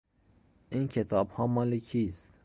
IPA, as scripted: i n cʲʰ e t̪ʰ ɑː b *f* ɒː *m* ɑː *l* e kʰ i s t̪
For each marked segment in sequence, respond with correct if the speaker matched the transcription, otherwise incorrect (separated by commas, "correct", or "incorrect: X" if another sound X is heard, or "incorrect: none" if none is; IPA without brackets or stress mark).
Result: incorrect: h, correct, correct